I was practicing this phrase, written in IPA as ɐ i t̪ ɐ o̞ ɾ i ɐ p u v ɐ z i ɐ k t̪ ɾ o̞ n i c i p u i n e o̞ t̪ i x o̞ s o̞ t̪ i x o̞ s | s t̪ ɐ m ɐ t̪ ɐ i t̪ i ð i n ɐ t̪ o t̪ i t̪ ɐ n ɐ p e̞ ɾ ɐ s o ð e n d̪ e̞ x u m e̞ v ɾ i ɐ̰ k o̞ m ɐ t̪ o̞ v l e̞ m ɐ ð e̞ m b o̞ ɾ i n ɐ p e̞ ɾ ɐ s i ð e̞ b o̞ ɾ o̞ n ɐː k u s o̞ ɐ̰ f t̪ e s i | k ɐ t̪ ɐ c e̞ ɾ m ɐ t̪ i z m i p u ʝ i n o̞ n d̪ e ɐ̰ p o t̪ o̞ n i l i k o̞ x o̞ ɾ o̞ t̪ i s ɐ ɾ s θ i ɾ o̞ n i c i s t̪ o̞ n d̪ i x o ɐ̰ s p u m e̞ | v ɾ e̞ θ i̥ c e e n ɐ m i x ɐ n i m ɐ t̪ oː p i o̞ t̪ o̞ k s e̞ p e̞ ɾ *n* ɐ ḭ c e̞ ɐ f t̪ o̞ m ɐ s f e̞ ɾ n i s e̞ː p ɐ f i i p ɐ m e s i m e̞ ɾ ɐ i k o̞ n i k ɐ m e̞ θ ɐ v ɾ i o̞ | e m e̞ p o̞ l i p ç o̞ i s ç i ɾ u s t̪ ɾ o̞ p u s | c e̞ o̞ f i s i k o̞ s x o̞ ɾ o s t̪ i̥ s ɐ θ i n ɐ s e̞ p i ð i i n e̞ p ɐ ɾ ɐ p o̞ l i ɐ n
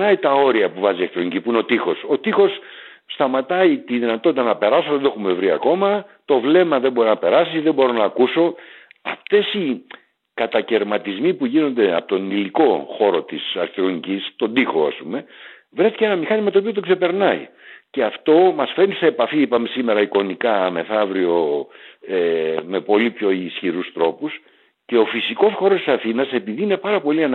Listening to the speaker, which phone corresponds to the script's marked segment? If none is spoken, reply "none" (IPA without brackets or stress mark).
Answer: n